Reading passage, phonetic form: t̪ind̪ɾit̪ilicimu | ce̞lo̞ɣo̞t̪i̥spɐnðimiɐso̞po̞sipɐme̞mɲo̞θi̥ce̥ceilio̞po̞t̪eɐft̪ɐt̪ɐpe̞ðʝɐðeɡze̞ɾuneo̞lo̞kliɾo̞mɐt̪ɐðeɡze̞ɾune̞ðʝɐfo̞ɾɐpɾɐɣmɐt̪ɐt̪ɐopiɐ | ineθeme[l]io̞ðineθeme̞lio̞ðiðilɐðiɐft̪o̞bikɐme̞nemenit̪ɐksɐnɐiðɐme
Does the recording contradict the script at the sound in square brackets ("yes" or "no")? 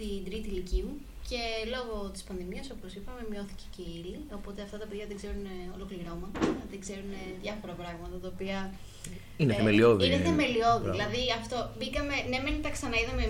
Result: no